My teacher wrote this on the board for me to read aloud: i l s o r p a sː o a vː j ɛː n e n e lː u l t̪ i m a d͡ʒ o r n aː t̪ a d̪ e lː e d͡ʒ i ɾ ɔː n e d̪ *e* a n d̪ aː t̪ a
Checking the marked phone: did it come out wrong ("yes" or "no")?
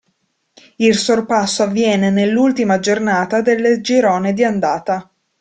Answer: yes